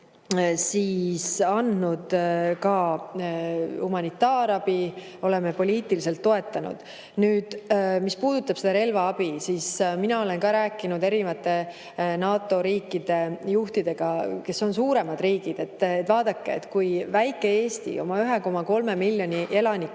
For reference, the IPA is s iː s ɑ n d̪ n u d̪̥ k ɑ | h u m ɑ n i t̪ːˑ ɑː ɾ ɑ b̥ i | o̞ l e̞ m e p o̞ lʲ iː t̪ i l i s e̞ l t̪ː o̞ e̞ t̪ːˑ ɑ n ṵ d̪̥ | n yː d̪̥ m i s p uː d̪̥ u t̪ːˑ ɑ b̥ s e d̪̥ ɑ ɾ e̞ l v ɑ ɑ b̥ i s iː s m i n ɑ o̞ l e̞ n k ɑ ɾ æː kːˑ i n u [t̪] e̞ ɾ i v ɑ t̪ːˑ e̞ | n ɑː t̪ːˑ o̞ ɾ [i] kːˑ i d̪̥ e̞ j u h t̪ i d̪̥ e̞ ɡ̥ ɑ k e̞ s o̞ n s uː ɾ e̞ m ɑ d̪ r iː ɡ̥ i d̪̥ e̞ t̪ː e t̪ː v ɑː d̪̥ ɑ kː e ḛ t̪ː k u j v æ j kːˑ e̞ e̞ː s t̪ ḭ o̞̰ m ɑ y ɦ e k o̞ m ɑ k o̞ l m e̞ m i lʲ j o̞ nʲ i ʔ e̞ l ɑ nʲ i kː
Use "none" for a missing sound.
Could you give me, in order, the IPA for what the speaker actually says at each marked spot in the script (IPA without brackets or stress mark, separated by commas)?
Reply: d̪, iː